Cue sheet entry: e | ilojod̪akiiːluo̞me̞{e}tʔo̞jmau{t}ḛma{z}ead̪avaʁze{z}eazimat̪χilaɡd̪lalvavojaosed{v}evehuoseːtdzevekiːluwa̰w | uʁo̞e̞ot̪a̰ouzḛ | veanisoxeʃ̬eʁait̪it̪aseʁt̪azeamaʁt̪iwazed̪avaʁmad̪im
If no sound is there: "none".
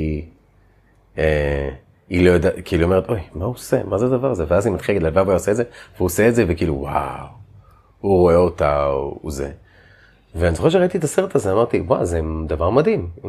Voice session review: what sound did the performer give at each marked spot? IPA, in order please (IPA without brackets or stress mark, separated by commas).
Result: e, s, z, v, z